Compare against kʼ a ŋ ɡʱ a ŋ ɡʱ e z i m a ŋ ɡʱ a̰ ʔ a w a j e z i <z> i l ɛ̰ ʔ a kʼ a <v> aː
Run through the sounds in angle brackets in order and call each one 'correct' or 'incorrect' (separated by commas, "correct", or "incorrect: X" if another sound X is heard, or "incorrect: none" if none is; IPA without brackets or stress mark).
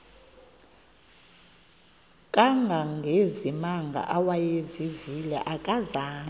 incorrect: v, incorrect: z